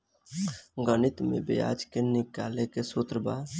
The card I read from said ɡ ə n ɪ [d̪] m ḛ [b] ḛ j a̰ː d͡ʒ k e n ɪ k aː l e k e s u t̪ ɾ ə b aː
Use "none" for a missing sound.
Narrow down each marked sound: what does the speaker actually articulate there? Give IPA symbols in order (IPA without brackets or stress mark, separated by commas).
t̪, b